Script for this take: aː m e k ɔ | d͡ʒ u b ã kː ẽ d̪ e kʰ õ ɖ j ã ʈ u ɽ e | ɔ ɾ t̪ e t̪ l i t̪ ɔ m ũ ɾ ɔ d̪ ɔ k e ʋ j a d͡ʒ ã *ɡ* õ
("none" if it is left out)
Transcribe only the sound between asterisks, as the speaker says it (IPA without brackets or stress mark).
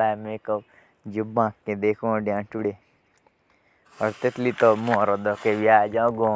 ɡ